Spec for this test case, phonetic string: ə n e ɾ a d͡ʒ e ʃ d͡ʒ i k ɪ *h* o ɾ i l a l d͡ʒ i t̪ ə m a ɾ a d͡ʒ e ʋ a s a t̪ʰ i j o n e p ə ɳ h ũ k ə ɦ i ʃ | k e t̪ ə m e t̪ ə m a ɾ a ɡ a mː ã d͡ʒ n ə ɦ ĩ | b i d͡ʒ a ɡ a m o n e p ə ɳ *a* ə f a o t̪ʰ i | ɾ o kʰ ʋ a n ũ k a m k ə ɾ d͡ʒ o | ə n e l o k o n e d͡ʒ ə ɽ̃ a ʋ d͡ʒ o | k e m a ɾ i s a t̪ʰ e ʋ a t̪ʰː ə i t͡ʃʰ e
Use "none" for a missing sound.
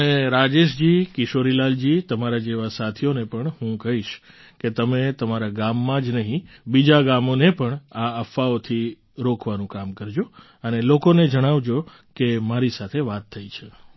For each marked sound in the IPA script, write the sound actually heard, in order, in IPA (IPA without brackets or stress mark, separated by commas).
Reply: ʃ, a